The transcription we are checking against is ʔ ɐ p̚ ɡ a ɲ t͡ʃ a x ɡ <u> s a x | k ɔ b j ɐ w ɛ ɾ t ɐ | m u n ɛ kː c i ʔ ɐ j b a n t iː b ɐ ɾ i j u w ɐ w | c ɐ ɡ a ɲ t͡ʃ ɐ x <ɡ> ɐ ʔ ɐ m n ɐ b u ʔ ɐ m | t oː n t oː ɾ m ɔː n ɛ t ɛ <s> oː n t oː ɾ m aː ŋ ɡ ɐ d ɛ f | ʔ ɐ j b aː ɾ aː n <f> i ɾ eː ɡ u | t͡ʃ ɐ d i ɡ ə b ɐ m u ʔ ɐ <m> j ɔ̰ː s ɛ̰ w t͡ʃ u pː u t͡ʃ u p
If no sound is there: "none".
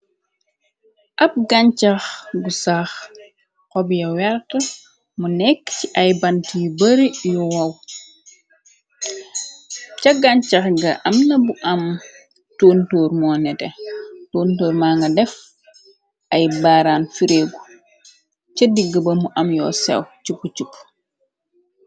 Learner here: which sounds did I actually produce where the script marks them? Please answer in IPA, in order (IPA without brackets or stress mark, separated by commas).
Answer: u, ɡ, t, f, m